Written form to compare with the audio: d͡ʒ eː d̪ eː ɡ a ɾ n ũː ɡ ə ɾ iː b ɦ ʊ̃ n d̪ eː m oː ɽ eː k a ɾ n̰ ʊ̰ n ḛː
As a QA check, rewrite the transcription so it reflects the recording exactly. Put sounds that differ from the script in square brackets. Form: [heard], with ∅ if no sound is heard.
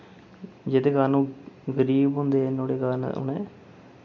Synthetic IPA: d͡ʒ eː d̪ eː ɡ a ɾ n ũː ɡ ə ɾ iː b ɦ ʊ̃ n d̪ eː [n] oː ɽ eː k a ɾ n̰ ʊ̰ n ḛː

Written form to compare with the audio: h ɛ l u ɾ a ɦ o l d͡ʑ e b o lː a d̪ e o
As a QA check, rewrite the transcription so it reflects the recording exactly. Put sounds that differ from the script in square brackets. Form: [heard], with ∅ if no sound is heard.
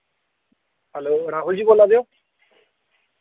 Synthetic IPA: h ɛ l [o] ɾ a ɦ [u] l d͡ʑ [i] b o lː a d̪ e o

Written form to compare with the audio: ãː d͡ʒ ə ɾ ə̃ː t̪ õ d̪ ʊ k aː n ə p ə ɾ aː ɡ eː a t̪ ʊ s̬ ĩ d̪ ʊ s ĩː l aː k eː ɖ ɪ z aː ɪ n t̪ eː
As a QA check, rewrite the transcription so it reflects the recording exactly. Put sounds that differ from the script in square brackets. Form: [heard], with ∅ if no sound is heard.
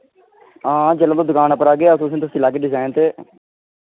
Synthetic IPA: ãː d͡ʒ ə [l] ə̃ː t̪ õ d̪ ʊ k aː n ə p ə ɾ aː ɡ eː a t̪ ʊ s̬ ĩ [t̪] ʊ s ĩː l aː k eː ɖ ɪ z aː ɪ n t̪ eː

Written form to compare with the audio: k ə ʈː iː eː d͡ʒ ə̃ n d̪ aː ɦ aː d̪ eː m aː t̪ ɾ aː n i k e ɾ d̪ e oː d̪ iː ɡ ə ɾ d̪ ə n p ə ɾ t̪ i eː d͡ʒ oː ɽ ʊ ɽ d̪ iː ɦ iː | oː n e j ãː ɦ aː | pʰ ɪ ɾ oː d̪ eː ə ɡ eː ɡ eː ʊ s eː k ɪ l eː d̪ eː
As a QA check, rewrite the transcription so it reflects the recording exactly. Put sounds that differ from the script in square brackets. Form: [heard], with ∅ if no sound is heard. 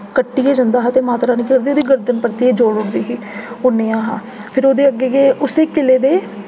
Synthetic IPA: k ə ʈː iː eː d͡ʒ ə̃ n d̪ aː ɦ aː [t̪] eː m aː t̪ ɾ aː n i k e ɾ d̪ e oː d̪ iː ɡ ə ɾ d̪ ə n p ə ɾ t̪ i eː d͡ʒ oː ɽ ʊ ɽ d̪ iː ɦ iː | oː n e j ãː ɦ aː | pʰ ɪ ɾ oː d̪ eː ə ɡ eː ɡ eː ʊ s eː k ɪ l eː d̪ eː

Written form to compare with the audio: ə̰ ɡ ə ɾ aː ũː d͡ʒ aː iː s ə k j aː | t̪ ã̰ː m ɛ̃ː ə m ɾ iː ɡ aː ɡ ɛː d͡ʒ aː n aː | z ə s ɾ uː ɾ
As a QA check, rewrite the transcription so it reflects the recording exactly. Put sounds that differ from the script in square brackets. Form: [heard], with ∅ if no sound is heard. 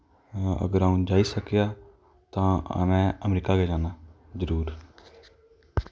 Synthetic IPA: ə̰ ɡ ə ɾ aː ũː d͡ʒ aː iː s ə k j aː | t̪ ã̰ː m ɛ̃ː ə m ɾ iː [k] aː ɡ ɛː d͡ʒ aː n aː | z ə [∅] ɾ uː ɾ

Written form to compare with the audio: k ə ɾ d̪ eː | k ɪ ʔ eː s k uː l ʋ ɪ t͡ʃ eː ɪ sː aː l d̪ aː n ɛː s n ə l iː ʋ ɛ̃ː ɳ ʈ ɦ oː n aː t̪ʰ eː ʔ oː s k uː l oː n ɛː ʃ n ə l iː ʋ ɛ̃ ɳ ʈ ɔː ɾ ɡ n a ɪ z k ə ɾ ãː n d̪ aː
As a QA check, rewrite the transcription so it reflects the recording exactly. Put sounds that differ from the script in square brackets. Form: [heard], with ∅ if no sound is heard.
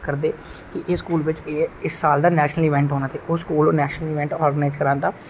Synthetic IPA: k ə ɾ d̪ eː | k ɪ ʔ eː s k uː l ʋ ɪ t͡ʃ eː ɪ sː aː l d̪ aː n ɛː [ʃ] n ə l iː ʋ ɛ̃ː ɳ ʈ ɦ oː n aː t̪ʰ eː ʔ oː s k uː l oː n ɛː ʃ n ə l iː ʋ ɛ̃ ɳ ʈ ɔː ɾ ɡ n a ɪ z k ə ɾ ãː n d̪ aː

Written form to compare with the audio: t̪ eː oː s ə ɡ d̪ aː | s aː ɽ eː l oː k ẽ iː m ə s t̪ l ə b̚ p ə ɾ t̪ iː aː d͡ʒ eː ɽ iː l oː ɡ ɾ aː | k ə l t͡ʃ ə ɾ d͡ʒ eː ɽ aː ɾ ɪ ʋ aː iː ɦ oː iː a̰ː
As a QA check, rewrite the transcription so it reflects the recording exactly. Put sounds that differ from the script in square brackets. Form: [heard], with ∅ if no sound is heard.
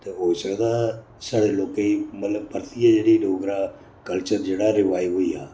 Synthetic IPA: t̪ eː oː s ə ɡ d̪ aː | s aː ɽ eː l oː k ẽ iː m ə [∅] t̪ l ə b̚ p ə ɾ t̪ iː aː d͡ʒ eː ɽ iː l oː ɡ ɾ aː | k ə l t͡ʃ ə ɾ d͡ʒ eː ɽ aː ɾ ɪ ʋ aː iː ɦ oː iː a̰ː

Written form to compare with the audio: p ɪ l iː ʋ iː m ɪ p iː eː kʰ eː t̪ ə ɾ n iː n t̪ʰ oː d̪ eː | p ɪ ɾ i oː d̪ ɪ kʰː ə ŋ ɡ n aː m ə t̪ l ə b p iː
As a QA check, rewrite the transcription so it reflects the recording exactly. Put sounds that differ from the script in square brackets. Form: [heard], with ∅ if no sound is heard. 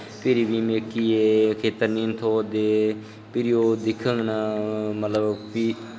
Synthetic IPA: p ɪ [ɾ] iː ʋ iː m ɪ [k] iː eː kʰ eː t̪ ə ɾ n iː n t̪ʰ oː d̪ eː | p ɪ ɾ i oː d̪ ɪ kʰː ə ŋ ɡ n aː m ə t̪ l ə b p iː

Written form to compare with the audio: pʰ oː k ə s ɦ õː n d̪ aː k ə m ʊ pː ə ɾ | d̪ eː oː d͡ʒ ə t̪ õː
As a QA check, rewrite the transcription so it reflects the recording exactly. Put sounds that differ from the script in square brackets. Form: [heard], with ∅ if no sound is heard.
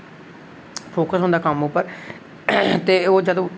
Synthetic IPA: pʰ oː k ə s ɦ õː n d̪ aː k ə m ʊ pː ə ɾ | [t̪] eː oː d͡ʒ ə [d̪] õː

